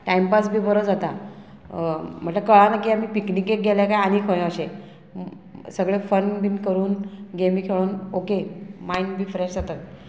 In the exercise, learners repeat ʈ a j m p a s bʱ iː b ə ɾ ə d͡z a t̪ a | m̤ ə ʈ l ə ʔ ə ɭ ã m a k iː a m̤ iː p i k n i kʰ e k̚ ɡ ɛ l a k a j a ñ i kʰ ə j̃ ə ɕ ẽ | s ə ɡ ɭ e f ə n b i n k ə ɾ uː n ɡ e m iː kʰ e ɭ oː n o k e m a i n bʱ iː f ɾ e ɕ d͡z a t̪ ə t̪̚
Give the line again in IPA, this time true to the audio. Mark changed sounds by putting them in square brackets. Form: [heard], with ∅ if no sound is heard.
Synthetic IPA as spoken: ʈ a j m p a s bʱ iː b ə ɾ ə d͡z a t̪ a | m̤ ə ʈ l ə [k] ə ɭ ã [n] a k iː a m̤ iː p i k n i [k] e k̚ ɡ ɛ l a k a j a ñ i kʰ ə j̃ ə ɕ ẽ | s ə ɡ ɭ e f ə n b i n k ə ɾ uː n ɡ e m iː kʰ e ɭ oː n o k e m a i n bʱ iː f ɾ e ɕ d͡z a t̪ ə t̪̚

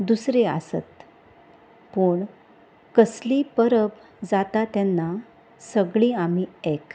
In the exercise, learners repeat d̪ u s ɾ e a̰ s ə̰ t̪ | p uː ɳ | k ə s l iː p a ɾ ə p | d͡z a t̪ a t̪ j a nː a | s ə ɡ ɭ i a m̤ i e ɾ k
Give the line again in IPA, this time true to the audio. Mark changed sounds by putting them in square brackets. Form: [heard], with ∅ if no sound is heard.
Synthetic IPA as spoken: d̪ u s ɾ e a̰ s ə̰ t̪ | p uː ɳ | k ə s l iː p [ə] ɾ ə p | d͡z a t̪ a t̪ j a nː a | s ə ɡ ɭ i a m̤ i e [∅] k

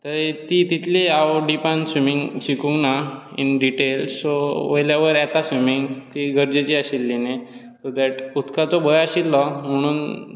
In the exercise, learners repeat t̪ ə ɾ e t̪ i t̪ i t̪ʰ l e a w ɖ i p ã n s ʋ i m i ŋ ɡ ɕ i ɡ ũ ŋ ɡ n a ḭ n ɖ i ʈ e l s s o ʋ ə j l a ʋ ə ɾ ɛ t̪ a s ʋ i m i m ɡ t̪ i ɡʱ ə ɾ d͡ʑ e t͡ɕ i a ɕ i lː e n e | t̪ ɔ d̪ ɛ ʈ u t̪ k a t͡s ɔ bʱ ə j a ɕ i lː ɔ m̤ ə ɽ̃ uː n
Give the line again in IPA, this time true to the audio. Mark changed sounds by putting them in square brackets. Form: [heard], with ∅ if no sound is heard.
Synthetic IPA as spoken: t̪ ə ɾ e t̪ i t̪ i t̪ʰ l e a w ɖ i p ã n s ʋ i m i ŋ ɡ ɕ i [k] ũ ŋ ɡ n a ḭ n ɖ i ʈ e l s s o ʋ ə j l a ʋ ə ɾ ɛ t̪ a s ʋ i m i [ŋ] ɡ t̪ i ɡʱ ə ɾ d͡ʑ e t͡ɕ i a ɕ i lː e n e | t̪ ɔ d̪ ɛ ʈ u t̪ k a t͡s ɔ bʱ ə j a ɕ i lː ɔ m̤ ə ɽ̃ uː n

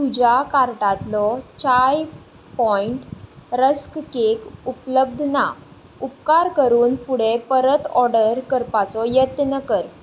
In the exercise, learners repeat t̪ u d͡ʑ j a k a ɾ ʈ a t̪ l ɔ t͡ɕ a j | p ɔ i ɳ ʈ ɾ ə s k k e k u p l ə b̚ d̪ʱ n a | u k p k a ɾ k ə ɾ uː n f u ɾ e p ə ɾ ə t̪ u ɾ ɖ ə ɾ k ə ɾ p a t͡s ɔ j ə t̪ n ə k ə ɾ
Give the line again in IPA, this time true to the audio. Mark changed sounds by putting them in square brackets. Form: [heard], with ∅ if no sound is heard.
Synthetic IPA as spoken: t̪ u d͡ʑ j a k a ɾ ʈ a t̪ l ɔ t͡ɕ a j | p ɔ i ɳ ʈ ɾ ə s k k e k u p l ə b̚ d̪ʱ n a | u [∅] p k a ɾ k ə ɾ uː n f u [ɽ] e p ə ɾ ə t̪ [ɔ] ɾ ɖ ə ɾ k ə ɾ p a t͡s ɔ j ə t̪ n ə k ə ɾ

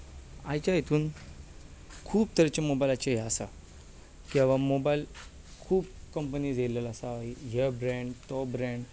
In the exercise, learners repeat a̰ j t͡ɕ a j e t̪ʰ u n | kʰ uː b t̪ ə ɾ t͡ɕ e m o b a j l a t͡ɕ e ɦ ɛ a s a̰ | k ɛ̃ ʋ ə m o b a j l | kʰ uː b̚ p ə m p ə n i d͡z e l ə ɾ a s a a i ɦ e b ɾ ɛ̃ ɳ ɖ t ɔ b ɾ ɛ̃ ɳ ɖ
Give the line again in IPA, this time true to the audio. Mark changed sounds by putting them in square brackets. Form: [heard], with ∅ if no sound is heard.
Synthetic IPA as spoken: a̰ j t͡ɕ a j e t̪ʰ [uː] n | kʰ uː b t̪ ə ɾ t͡ɕ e m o b a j l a t͡ɕ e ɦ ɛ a s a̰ | k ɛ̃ ʋ [a] m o b a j l | kʰ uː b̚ [k] ə m p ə n i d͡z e l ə [l] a s a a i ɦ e b ɾ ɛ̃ ɳ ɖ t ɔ b ɾ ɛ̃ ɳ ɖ

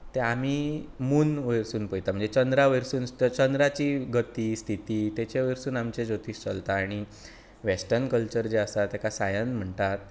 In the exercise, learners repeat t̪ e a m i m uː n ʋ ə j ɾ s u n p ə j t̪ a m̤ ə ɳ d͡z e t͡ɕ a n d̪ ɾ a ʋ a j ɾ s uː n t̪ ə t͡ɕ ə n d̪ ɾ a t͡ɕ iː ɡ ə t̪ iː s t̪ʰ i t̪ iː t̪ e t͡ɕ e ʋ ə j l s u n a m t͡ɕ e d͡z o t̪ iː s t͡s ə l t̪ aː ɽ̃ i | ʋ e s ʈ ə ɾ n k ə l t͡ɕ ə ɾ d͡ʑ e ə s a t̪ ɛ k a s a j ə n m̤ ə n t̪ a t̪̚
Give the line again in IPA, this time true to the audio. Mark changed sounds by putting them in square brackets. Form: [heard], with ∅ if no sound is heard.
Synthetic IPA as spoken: t̪ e a m i m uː n ʋ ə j ɾ s [uː] n p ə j t̪ a m̤ ə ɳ d͡z e t͡ɕ [ə] n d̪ ɾ a ʋ [ə] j ɾ s uː n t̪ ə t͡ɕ ə n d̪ ɾ a t͡ɕ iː ɡ ə t̪ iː s t̪ʰ i t̪ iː t̪ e t͡ɕ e ʋ ə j [ɾ] s [uː] n a m t͡ɕ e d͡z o t̪ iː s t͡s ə l t̪ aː ɽ̃ i | ʋ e s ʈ ə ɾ n k ə l t͡ɕ ə ɾ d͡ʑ e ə s a t̪ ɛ k a s a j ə n m̤ ə [ɳ] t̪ a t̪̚

